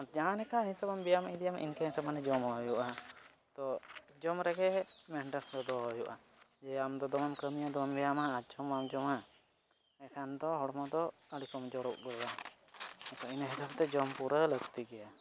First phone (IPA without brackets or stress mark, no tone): d͡ʒ